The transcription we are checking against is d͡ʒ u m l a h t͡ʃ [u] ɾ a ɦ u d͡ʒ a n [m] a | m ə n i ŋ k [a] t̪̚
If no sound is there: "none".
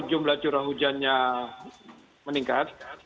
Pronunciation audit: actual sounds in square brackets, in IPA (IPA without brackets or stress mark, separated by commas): u, ɲ, a